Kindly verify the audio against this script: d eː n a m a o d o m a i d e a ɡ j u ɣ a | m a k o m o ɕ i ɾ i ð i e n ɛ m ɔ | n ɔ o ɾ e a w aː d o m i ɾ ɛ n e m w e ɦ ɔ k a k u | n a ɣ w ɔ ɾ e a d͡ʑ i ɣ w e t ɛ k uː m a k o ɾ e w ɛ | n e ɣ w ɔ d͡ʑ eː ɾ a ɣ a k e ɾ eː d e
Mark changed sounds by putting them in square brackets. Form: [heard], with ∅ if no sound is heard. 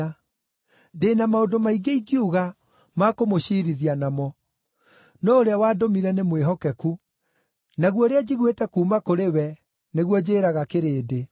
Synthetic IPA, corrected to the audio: d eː n a m a o d o m a i [ɡ] e [i] ɡ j u ɣ a | m a k o m o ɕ i ɾ i ð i [a] n [a] m ɔ | n ɔ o ɾ e a w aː d o m i ɾ ɛ n e m w e ɦ ɔ k [ɛ] k u | n a ɣ w ɔ ɾ e a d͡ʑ i ɣ w e t ɛ k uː m a k o ɾ e w ɛ | n e ɣ w ɔ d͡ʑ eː ɾ a ɣ a k e ɾ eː d e